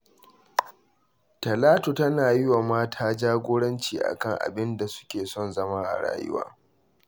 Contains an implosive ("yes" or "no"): no